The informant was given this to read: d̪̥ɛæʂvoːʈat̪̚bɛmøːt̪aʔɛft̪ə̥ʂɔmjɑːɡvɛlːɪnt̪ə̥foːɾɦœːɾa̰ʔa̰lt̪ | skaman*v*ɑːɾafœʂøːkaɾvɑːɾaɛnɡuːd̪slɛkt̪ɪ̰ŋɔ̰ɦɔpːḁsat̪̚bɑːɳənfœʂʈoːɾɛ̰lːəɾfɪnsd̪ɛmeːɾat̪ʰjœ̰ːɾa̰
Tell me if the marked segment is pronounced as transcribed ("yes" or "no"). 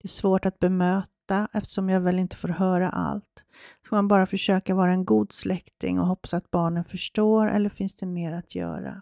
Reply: no